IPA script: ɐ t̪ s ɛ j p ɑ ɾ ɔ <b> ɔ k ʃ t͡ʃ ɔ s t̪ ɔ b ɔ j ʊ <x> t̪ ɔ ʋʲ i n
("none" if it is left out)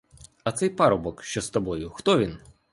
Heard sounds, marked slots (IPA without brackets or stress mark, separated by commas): b, x